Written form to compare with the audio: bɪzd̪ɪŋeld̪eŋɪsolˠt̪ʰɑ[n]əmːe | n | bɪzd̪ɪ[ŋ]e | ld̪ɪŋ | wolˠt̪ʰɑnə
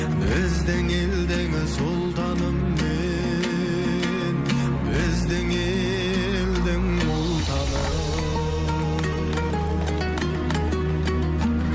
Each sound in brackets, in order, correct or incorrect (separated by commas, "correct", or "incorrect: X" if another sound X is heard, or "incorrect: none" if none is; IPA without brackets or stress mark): correct, correct